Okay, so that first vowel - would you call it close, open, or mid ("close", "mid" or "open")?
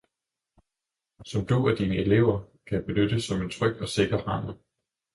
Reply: open